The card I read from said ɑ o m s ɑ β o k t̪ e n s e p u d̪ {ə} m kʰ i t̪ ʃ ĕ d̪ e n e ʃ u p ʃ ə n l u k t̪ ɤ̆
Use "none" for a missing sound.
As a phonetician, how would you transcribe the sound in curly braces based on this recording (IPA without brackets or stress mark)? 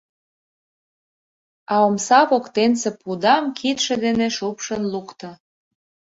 ɑ